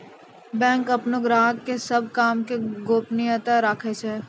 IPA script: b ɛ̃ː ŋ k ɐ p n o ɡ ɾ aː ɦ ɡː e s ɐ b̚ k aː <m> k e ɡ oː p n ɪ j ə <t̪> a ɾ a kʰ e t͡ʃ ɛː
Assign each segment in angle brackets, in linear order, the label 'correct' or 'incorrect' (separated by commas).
correct, correct